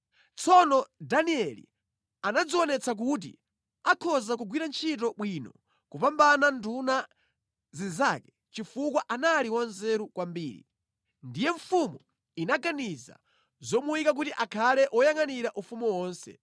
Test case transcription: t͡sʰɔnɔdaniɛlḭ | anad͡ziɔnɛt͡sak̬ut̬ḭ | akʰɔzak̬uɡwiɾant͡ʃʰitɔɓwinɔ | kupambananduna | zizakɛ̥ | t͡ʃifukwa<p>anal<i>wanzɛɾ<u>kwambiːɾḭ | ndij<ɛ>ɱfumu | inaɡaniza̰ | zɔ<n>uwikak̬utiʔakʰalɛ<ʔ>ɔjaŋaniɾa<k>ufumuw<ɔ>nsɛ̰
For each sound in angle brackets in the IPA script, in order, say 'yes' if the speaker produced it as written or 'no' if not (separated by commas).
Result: no, yes, yes, yes, no, yes, no, no